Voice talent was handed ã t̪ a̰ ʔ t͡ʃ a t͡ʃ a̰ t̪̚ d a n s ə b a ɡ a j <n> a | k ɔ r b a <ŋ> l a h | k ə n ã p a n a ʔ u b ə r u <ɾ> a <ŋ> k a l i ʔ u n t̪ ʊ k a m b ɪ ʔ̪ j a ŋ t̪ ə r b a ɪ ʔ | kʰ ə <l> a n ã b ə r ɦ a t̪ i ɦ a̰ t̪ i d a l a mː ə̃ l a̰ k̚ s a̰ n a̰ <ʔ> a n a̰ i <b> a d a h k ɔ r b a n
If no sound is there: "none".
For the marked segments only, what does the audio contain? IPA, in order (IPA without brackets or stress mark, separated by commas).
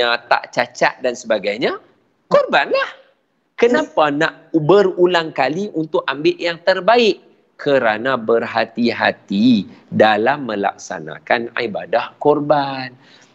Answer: ɲ, n, l, ŋ, ɾ, k, b